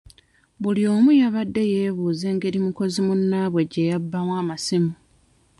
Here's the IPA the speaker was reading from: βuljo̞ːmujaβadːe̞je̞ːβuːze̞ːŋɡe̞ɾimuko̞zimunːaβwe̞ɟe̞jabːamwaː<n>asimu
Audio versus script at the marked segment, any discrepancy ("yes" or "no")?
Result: yes